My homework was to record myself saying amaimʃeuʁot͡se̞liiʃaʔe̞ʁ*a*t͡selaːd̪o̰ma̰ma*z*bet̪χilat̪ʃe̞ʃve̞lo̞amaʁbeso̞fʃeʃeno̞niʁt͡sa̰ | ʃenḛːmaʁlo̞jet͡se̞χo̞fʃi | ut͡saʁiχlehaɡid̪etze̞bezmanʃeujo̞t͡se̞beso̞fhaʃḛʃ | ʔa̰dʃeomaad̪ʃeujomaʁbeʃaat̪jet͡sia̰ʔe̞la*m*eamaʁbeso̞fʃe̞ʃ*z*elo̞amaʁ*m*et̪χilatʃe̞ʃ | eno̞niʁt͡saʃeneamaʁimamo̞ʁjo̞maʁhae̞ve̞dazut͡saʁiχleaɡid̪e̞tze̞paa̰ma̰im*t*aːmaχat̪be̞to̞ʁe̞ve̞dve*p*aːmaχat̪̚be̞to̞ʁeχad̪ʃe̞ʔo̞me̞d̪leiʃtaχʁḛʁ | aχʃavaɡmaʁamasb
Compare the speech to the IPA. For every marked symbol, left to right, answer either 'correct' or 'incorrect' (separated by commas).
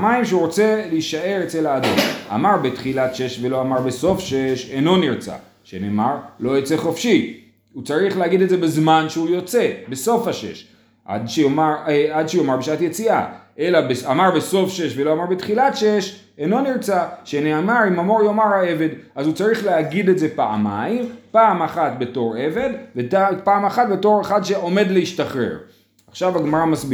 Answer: incorrect, incorrect, incorrect, incorrect, incorrect, incorrect, correct